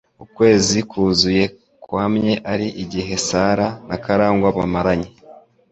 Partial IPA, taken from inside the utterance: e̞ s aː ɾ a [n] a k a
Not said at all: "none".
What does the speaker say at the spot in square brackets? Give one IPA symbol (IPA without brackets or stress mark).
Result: n